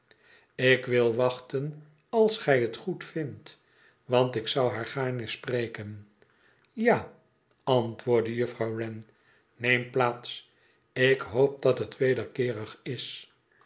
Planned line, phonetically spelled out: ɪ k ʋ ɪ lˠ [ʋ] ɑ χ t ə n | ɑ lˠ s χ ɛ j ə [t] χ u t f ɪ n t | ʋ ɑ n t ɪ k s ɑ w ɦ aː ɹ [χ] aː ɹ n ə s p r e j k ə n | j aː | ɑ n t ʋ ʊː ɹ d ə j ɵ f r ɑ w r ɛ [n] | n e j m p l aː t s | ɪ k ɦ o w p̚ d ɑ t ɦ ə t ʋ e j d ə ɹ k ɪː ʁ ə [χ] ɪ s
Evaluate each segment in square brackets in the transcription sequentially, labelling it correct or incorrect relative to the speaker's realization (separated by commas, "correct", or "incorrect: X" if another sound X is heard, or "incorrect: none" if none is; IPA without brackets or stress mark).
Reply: correct, correct, correct, correct, correct